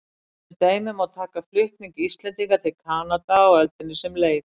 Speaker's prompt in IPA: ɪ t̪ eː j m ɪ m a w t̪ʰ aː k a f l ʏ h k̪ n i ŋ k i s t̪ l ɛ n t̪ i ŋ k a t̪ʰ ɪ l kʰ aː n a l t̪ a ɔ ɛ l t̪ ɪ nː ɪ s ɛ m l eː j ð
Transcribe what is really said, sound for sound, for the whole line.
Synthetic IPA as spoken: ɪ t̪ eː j m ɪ m a w t̪ʰ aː k a f l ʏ h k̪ n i ŋ k i s t̪ l ɛ n t̪ i ŋ k a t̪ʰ ɪ l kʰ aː n a t̪ a ɔ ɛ l t̪ ɪ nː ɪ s ɛ m l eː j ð

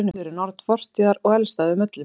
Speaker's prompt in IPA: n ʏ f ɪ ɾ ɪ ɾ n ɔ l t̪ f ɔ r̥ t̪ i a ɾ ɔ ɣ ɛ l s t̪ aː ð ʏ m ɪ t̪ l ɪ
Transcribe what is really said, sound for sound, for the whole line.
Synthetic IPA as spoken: n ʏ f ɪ ɾ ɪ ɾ n ɔ ɾ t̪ f ɔ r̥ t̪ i a ɾ ɔ ɣ ɛ l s t̪ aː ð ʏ m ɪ t̪ l ɪ

